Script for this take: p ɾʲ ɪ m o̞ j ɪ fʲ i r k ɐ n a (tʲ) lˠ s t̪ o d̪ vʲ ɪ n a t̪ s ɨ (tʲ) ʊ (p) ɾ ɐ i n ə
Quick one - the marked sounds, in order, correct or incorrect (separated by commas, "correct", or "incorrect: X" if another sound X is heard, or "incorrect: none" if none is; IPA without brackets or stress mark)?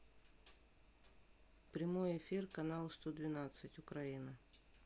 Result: incorrect: none, correct, incorrect: k